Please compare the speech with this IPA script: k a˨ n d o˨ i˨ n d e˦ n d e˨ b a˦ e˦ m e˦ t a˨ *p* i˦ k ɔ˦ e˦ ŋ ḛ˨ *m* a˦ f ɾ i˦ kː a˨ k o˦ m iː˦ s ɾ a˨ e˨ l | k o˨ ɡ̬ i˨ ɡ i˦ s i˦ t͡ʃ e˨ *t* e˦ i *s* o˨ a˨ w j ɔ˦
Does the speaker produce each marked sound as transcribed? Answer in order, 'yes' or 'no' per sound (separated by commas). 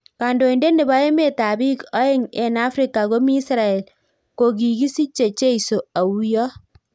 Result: no, no, no, yes